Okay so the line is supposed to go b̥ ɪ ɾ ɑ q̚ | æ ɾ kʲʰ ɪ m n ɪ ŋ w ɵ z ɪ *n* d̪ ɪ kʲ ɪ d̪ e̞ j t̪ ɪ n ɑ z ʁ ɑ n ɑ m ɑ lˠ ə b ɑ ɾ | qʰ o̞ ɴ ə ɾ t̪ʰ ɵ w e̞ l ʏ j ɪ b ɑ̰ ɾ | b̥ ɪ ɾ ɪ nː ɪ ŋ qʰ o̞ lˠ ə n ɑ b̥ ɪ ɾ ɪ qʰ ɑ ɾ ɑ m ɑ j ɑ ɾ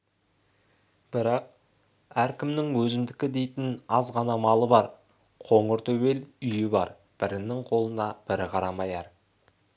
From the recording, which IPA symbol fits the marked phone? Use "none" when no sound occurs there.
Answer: m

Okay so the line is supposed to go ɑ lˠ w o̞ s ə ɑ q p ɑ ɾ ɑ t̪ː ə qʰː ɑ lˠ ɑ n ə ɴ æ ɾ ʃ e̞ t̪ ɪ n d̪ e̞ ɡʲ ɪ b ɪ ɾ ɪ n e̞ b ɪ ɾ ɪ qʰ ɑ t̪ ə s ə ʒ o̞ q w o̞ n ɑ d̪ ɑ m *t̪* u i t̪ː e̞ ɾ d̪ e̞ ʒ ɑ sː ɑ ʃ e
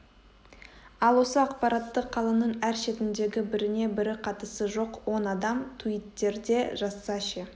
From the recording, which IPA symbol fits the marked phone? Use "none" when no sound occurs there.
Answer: t̪ʰ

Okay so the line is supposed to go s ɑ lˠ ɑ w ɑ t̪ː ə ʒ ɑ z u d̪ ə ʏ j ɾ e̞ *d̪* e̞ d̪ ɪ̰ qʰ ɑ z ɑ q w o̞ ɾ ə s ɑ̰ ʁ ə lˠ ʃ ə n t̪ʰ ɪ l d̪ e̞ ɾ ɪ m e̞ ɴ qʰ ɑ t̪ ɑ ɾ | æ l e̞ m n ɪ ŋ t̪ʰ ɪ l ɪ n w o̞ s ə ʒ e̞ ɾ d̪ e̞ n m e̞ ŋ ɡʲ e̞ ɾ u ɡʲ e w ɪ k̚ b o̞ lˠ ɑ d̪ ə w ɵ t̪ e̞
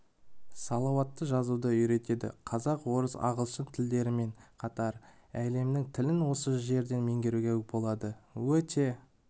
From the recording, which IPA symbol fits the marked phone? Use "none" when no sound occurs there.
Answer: t̪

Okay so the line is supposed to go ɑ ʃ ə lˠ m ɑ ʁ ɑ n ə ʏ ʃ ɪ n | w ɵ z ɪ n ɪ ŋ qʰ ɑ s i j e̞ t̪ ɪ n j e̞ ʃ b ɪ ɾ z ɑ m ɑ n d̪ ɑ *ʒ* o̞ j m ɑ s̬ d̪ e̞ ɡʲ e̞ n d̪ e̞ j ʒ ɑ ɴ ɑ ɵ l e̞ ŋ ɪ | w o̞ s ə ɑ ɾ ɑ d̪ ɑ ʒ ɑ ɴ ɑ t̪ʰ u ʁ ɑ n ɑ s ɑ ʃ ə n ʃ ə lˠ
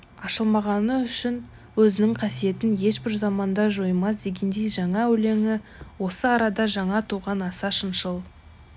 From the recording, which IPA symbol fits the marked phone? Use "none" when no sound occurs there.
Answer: ʒ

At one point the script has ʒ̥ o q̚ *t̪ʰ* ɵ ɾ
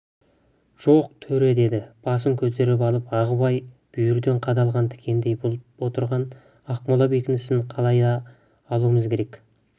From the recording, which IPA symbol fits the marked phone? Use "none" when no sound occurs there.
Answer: t̪ʰ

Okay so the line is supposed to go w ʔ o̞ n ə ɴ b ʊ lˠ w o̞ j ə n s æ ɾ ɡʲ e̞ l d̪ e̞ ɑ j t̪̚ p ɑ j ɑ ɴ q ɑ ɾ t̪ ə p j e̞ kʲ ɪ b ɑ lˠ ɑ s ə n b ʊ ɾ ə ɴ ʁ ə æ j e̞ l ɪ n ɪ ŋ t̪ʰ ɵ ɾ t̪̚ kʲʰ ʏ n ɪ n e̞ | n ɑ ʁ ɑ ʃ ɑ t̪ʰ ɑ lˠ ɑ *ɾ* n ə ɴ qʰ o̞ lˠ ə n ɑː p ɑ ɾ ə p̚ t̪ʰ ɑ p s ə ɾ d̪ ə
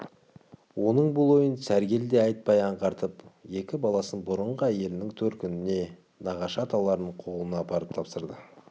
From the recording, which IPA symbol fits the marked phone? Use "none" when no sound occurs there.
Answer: ɾ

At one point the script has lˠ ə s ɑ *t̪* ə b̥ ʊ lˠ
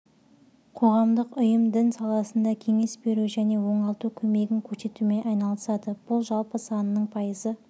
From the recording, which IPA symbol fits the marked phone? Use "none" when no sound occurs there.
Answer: d̪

